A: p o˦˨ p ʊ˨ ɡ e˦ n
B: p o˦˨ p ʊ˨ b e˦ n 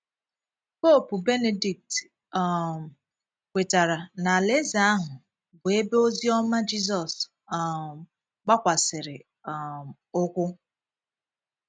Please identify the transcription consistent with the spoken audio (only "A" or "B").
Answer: B